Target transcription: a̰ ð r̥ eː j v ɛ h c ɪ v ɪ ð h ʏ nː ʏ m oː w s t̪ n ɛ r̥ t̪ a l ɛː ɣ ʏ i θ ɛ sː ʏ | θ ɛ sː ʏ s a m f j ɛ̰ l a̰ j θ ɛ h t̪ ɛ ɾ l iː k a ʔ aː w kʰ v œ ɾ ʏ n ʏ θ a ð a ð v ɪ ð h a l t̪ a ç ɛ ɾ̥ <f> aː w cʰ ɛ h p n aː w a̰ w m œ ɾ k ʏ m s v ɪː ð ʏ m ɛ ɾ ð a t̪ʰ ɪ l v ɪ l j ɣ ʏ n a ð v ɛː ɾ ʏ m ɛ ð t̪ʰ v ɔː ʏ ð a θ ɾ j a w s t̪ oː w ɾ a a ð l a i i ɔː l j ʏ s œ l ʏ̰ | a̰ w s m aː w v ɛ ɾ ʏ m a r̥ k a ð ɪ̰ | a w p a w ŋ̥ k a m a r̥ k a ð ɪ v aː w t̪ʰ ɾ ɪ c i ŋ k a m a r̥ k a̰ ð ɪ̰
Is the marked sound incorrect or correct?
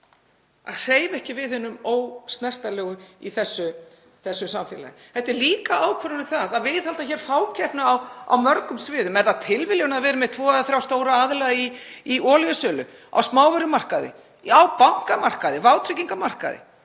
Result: correct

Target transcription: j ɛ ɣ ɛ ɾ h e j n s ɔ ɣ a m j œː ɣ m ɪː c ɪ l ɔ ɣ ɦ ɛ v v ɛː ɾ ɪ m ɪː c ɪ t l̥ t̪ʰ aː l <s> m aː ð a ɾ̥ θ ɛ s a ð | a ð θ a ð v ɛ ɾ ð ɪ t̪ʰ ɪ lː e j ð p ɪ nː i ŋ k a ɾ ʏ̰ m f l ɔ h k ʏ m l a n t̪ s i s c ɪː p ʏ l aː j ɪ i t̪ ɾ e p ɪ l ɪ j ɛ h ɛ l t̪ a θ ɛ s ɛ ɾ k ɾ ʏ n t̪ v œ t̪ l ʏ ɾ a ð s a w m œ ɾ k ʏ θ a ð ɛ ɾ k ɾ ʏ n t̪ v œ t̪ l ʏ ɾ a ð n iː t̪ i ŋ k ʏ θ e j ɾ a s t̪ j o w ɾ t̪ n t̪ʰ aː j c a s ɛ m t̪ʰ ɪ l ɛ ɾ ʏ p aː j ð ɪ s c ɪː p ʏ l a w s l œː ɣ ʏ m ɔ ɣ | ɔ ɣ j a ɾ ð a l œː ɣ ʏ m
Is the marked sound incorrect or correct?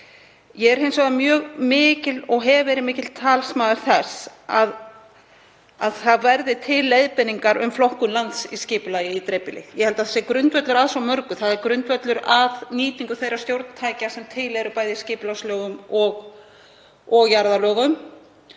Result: correct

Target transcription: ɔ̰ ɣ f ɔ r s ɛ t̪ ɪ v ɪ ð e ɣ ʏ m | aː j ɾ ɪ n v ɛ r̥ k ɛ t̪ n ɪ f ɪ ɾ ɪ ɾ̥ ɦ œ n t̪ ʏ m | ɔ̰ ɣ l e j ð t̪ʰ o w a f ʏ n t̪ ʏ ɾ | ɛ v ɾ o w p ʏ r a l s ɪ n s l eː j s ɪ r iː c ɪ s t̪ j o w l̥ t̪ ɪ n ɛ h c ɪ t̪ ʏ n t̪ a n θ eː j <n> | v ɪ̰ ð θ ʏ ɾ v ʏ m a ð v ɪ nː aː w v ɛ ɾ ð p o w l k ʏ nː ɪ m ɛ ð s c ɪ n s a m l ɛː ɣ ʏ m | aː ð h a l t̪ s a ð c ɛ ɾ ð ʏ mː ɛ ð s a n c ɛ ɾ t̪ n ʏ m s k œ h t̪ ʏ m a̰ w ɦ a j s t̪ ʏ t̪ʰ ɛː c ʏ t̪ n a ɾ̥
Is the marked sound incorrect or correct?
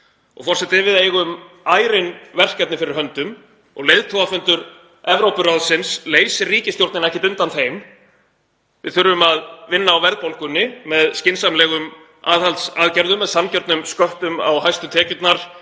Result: incorrect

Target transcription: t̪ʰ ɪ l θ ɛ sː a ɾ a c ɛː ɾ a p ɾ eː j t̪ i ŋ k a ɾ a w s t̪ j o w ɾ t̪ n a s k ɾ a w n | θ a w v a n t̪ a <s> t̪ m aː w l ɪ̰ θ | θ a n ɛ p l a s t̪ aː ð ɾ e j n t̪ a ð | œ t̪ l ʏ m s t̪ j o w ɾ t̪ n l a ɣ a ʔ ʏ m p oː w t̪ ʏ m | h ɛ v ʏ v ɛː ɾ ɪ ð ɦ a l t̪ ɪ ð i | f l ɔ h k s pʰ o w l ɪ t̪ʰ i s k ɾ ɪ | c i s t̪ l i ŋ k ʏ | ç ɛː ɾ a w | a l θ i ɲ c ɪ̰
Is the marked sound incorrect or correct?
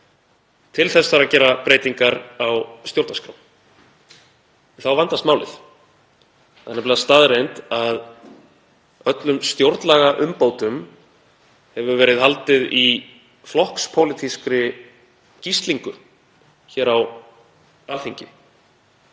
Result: correct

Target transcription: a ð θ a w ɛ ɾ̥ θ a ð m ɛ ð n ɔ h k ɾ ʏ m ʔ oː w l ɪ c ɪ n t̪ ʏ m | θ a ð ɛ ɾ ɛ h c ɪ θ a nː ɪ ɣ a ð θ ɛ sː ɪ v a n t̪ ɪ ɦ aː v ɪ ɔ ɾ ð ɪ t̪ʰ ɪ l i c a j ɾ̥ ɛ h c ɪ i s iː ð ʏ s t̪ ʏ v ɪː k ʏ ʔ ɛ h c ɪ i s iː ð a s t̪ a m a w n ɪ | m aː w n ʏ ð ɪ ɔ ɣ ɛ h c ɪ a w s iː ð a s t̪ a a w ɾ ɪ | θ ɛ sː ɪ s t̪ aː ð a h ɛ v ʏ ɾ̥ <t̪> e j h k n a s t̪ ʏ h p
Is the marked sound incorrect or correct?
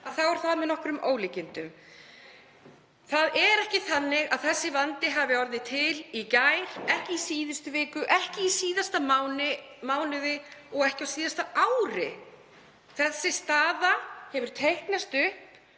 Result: incorrect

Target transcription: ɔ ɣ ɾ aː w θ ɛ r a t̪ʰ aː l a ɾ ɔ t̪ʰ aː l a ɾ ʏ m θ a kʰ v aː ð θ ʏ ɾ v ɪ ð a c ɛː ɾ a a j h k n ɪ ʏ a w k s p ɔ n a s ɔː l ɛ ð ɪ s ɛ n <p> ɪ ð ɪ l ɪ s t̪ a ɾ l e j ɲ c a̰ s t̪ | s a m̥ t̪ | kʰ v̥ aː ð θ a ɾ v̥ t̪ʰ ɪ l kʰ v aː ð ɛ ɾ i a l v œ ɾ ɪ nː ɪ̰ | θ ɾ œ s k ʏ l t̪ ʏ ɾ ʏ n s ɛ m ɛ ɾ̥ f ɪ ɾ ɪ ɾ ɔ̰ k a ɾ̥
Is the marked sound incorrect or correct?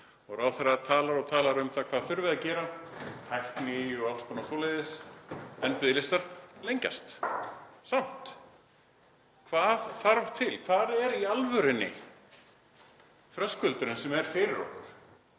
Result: correct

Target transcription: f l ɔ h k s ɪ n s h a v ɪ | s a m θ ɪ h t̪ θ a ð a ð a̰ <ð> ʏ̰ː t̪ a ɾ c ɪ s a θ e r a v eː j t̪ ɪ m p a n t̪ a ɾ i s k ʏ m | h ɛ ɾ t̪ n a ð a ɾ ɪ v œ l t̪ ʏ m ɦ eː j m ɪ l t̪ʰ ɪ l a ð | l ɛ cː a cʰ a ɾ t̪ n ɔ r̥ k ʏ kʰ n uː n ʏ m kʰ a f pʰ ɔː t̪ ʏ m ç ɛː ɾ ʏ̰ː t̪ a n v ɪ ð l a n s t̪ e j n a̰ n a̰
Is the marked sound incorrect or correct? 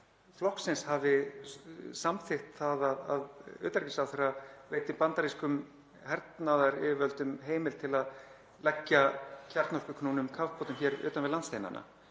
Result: correct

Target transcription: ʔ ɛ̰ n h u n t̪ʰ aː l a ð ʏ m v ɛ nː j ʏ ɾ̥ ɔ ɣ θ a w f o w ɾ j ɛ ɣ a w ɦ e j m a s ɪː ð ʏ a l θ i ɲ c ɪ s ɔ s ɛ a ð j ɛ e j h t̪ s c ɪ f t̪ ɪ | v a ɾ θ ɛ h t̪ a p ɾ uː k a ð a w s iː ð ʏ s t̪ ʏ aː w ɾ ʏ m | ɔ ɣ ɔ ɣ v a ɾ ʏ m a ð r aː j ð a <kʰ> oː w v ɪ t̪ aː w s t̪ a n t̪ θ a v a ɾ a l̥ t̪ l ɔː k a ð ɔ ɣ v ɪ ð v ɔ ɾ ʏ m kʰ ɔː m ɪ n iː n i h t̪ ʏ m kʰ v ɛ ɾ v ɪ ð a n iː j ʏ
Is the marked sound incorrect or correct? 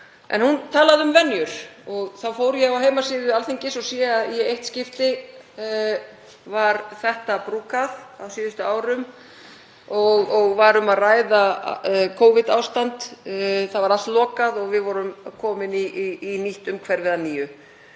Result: correct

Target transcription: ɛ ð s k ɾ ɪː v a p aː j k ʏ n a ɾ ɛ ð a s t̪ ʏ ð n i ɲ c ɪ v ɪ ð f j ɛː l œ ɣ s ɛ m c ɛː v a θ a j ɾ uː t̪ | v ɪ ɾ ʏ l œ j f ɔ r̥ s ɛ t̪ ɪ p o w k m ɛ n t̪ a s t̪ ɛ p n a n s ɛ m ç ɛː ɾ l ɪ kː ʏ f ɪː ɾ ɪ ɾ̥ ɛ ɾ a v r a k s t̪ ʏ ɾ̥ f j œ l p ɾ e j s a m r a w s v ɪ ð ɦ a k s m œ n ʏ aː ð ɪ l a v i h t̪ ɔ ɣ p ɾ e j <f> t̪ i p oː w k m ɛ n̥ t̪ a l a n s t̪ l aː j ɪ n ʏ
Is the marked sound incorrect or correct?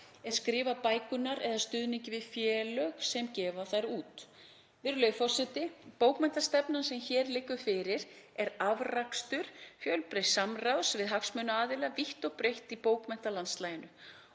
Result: incorrect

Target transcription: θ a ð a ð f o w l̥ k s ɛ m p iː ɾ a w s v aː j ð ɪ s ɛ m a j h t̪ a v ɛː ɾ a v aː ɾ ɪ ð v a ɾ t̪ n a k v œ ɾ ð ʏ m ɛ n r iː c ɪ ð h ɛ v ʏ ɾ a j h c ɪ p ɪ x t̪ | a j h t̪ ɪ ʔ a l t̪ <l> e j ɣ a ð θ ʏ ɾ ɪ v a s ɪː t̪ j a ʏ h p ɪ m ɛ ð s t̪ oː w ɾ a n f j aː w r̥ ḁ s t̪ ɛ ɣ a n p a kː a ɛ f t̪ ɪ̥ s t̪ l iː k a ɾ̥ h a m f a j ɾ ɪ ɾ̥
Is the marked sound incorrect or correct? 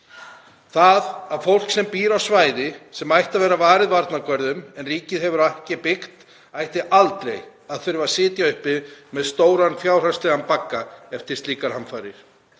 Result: correct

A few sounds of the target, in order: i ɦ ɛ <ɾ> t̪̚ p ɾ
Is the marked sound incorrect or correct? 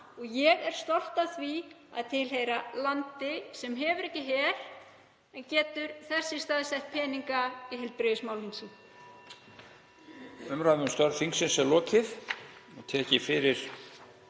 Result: incorrect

